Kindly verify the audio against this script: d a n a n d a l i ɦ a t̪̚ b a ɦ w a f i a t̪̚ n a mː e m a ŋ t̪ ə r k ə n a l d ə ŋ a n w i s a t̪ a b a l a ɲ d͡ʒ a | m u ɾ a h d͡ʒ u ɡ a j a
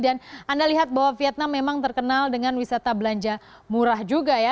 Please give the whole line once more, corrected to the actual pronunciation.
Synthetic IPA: d a n a n d a l i ɦ a t̪̚ b a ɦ w a f i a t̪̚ n a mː e m a ŋ t̪ ə r k ə n a l d ə ŋ a n w i s a t̪ a b ə l a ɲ d͡ʒ a | m u ɾ a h d͡ʒ u ɡ a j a